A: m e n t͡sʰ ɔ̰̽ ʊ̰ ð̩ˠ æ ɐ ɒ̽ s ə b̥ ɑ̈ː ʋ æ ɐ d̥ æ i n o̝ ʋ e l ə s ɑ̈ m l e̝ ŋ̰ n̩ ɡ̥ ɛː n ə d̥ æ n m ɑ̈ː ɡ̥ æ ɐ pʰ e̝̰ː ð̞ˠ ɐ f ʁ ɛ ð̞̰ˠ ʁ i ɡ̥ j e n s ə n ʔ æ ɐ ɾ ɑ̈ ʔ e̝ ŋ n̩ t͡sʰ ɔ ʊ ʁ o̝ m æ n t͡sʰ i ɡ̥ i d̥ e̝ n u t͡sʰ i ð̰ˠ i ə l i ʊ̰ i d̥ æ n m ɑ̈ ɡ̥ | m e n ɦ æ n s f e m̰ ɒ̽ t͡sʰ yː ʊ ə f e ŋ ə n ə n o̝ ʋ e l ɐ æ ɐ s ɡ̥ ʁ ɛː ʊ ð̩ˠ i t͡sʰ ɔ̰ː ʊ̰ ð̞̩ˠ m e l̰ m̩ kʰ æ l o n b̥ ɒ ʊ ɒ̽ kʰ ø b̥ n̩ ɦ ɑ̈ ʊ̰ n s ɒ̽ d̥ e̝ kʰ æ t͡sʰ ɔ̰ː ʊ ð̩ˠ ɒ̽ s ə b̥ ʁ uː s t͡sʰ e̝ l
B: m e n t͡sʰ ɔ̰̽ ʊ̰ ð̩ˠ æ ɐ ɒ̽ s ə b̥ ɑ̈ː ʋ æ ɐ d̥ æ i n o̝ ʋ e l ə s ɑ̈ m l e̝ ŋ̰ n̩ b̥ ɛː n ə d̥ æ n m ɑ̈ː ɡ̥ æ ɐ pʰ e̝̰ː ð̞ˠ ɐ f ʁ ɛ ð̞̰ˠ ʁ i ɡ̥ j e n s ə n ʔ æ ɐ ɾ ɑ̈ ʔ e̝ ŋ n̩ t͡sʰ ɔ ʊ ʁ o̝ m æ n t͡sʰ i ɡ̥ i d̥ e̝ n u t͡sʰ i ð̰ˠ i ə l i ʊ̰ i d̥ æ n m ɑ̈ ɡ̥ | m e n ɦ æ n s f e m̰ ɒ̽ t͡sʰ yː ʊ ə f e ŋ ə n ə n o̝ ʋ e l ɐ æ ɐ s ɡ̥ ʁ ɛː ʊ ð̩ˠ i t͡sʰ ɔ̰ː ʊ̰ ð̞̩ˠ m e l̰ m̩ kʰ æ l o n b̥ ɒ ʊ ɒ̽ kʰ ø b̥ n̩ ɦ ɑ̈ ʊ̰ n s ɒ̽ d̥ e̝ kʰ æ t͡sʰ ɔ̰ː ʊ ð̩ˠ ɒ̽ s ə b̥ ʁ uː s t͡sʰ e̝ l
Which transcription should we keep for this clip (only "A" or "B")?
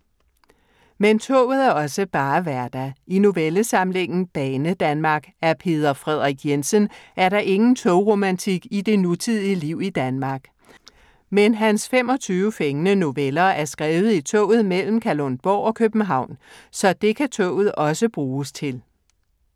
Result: B